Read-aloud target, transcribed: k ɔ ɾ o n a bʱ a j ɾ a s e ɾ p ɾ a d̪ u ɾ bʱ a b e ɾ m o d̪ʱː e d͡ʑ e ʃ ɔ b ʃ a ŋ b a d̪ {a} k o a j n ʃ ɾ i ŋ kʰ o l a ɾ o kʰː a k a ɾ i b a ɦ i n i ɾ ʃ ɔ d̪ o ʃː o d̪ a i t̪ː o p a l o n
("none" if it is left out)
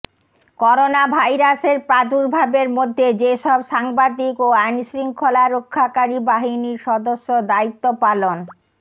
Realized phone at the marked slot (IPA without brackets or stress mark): i